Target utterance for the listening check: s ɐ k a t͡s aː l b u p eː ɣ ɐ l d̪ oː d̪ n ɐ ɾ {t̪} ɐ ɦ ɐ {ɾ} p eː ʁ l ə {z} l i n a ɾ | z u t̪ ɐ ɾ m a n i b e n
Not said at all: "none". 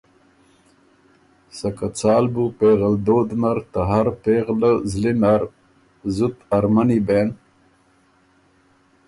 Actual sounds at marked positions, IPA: t̪, ɾ, z

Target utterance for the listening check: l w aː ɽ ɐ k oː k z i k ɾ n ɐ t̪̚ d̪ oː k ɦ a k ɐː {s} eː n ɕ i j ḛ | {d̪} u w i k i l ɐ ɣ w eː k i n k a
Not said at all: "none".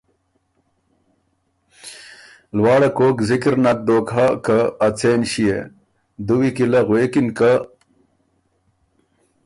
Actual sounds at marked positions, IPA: t͡s, d̪

